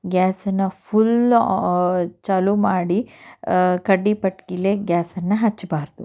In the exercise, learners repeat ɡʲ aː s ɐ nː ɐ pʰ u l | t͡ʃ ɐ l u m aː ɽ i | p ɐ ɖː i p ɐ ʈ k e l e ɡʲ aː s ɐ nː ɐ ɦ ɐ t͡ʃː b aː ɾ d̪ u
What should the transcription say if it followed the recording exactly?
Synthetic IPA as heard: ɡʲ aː s ɐ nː ɐ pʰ u l | t͡ʃ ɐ l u m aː ɽ i | k ɐ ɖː i p ɐ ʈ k i l e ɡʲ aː s ɐ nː ɐ ɦ ɐ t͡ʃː b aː ɾ d̪ u